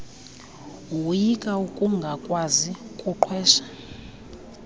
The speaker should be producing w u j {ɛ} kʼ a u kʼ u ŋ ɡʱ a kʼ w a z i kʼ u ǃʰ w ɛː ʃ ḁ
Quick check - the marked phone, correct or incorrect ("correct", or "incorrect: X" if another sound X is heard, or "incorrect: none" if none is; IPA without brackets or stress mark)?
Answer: incorrect: i